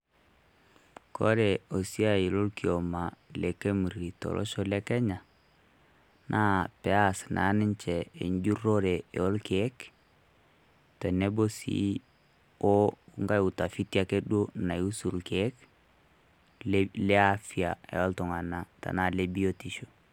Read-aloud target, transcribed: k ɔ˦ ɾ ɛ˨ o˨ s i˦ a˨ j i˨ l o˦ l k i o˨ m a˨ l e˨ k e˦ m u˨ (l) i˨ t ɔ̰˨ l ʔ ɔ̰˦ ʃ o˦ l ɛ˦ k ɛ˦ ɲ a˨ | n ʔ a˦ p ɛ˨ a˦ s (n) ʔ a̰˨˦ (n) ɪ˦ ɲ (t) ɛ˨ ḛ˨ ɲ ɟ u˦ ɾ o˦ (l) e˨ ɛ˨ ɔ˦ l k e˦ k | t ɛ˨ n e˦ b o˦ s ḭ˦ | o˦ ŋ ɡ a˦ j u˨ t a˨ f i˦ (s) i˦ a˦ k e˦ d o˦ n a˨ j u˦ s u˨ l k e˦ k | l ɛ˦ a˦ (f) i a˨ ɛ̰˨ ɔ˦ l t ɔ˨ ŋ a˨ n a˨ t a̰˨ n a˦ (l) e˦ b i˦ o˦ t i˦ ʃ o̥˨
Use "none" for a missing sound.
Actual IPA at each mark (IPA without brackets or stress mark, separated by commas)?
ɾ, n, n, t͡ʃ, ɾ, t, f, l